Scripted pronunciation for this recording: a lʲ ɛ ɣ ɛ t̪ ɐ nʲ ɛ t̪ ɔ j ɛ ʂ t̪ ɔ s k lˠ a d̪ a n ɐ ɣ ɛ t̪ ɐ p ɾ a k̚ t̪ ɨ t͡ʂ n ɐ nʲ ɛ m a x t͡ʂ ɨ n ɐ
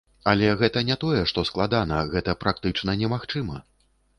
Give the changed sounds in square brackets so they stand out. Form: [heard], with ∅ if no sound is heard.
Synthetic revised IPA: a lʲ ɛ ɣ ɛ t̪ ɐ nʲ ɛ t̪ ɔ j ɛ ʂ t̪ ɔ s k lˠ a d̪ a n ɐ ɣ ɛ t̪ ɐ p ɾ a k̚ t̪ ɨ t͡ʂ n ɐ nʲ ɛ m a x t͡ʂ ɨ [m] ɐ